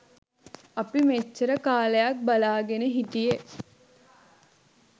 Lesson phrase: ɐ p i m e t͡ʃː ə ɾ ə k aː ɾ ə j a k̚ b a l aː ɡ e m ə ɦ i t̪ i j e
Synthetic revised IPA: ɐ p i m e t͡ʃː ə ɾ ə k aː l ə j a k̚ b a l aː ɡ e n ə ɦ i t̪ i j e